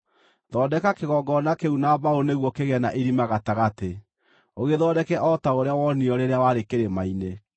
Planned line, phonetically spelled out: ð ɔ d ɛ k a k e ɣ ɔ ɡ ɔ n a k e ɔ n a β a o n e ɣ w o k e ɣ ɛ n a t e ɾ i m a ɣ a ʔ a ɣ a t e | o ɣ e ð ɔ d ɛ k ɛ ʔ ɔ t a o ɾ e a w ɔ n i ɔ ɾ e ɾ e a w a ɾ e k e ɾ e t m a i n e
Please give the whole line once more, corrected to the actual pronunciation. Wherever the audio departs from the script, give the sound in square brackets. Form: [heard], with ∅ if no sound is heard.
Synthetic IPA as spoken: ð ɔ d ɛ k a k e ɣ ɔ ɡ ɔ n a k e [u] n a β a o n e ɣ w [ɔ] k e ɣ ɛ n a [ʔ] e ɾ i m a ɣ a [t] a ɣ a t e | o ɣ e ð ɔ d ɛ k ɛ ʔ ɔ t a o ɾ e a w ɔ n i ɔ ɾ e ɾ e a w a ɾ e k e ɾ e [∅] m a i n e

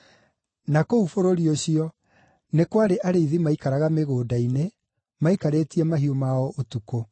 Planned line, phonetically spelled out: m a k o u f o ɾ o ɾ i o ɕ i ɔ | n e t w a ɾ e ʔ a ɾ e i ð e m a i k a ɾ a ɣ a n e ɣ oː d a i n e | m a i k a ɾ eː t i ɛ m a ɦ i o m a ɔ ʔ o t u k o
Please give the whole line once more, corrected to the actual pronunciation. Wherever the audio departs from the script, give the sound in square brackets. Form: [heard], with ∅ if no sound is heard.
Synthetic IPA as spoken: [n] a k o u f o ɾ o ɾ i o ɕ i ɔ | n e [k] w a ɾ e ʔ a ɾ e i ð [i] m a i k a ɾ a ɣ a [m] e ɣ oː d a i n e | m a i k a ɾ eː t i ɛ m a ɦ i o m a ɔ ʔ o t u k o

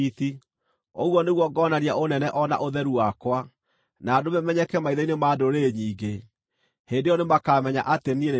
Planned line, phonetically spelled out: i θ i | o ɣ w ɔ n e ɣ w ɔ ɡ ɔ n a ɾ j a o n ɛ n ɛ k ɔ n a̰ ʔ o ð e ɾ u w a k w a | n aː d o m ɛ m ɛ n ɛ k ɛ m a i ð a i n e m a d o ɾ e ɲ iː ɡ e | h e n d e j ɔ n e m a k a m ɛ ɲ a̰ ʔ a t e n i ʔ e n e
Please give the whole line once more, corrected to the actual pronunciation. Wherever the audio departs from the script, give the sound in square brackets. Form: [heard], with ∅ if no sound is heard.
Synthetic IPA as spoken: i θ i | o ɣ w ɔ n e ɣ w ɔ ɡ ɔ n a ɾ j a o n ɛ n ɛ [ʔ] ɔ n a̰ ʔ o ð [ɛ] ɾ u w a k w a | n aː d o m ɛ m ɛ [ɲ] ɛ k ɛ m a i ð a i n e m a d o ɾ e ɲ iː ɡ e | h e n d e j ɔ n e m a k a m ɛ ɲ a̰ ʔ a t e n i [∅] e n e

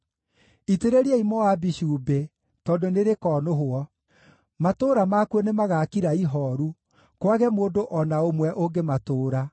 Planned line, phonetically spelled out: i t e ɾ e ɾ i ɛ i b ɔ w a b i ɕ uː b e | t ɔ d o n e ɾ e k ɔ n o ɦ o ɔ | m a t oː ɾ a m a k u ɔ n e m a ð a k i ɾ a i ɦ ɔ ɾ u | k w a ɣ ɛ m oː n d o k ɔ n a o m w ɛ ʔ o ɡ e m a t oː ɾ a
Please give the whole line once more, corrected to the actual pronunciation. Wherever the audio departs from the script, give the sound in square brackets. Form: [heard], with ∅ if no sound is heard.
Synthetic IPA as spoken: i t e ɾ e ɾ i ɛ i [m] ɔ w a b i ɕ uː b e | t ɔ d o n e ɾ e k ɔ n o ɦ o ɔ | m a t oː ɾ a m a k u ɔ n e m a [ɣ] a k i ɾ a i ɦ ɔ ɾ u | k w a ɣ ɛ m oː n d o [ʔ] ɔ n a o m w ɛ ʔ o ɡ e m a t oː ɾ a

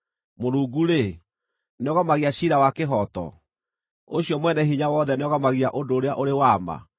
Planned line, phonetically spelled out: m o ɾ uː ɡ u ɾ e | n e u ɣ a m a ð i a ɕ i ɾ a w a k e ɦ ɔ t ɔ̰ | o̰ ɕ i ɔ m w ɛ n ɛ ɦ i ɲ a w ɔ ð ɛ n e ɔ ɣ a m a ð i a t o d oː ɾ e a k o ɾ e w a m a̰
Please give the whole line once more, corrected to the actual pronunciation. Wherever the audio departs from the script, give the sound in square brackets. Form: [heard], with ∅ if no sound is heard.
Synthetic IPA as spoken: m o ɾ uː ɡ u ɾ e | n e [ɔ] ɣ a m a [ɣ] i a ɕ i ɾ a w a k e ɦ ɔ t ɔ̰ | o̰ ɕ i ɔ m w ɛ n ɛ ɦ i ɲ a w ɔ ð ɛ n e ɔ ɣ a m a [ɣ] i a [ʔ] o d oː ɾ e a [ʔ] o ɾ e w a m a̰

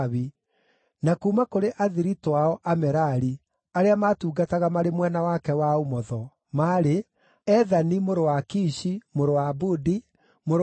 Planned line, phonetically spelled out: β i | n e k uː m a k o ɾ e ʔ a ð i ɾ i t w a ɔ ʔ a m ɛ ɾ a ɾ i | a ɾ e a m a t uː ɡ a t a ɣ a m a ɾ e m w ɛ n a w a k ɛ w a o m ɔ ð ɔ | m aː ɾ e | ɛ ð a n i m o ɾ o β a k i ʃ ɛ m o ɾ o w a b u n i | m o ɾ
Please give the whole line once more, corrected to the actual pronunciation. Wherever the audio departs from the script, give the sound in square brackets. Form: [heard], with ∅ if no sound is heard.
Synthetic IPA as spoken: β i | n [a] k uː m a k o ɾ e ʔ a ð i ɾ i t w a ɔ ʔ a m ɛ ɾ a ɾ i | a ɾ e a m a t uː ɡ a t a ɣ a m a ɾ e m w ɛ n a w a k ɛ w a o m ɔ ð ɔ | m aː ɾ e | ɛ ð a n i m o ɾ o [w] a k i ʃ [i] m o ɾ o w a b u [d] i | m o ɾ

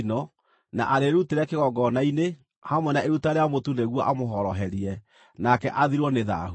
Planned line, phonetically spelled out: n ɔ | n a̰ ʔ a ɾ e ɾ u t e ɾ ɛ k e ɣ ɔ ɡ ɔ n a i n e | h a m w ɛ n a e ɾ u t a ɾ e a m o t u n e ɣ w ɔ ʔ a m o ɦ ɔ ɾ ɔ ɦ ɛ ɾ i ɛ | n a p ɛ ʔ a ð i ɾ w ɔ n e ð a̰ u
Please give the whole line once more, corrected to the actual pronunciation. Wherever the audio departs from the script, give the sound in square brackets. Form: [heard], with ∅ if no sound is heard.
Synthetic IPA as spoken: n ɔ | n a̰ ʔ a ɾ e ɾ u t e ɾ ɛ k e ɣ ɔ ɡ ɔ n a i n e | h a m w ɛ n a e ɾ u t a ɾ e a m o t u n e ɣ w ɔ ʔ a m o ɦ ɔ ɾ ɔ ɦ ɛ ɾ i ɛ | n a [k] ɛ ʔ a ð i ɾ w ɔ n e ð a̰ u

